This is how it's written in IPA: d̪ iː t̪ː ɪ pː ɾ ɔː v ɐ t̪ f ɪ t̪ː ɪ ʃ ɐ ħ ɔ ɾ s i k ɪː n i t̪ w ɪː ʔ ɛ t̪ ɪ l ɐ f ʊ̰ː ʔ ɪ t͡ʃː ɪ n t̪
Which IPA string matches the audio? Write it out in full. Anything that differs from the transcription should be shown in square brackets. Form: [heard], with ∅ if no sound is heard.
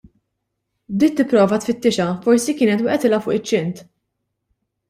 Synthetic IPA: d̪ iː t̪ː ɪ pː ɾ ɔː v ɐ t̪ f ɪ t̪ː ɪ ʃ ɐ [f] ɔ ɾ s i k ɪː n [ɛ] t̪ w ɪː ʔ ɛ t̪ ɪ l ɐ f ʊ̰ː ʔ ɪ t͡ʃː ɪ n t̪